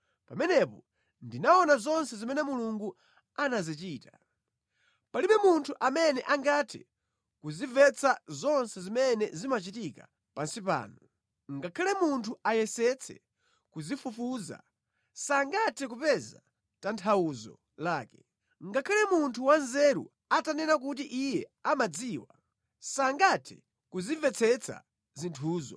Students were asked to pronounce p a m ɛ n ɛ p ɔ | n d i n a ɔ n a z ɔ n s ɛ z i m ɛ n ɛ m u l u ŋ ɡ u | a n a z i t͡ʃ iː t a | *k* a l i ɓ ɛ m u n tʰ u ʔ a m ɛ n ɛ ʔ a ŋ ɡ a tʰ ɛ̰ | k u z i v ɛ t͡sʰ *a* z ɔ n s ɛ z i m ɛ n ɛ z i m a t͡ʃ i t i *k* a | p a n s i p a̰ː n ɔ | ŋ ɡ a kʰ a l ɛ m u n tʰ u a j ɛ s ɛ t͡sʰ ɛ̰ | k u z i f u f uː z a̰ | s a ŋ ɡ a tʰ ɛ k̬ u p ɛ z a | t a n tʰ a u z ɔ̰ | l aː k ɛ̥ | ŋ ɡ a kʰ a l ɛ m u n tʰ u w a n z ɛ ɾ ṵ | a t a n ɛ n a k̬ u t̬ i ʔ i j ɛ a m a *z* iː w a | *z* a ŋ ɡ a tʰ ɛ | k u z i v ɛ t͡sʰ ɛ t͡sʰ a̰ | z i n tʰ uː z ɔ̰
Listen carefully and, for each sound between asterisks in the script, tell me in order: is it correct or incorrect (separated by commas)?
incorrect, correct, correct, incorrect, incorrect